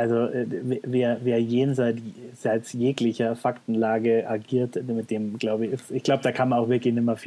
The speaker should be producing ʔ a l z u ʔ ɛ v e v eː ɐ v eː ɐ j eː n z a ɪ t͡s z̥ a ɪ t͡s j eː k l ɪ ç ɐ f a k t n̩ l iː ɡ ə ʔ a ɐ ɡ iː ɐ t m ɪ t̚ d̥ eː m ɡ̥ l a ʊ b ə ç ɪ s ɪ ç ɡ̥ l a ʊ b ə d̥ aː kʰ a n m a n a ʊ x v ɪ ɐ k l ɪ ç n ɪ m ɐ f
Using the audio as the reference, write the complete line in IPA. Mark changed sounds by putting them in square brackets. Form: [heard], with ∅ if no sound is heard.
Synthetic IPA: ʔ a l z [o] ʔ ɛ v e v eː ɐ v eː ɐ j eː n z a ɪ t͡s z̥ a ɪ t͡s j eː k l ɪ ç ɐ f a k t n̩ l [aː] ɡ ə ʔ a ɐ ɡ iː ɐ t m ɪ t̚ d̥ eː m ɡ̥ l a ʊ b ə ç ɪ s ɪ ç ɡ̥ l a ʊ b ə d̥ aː kʰ a n m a n a ʊ x v ɪ ɐ k l ɪ ç n ɪ m ɐ f